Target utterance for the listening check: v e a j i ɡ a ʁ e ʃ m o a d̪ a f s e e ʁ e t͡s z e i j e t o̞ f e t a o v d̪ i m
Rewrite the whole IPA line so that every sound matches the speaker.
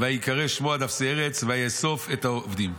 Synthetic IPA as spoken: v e a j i k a ʁ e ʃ m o a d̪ a f s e e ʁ e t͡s v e a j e s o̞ f e t a o v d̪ i m